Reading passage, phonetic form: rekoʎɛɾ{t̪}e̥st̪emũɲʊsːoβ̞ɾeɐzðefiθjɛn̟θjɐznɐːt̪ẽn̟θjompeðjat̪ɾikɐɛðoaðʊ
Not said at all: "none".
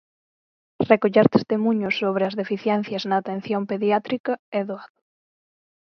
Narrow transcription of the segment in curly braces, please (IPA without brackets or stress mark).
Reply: t̪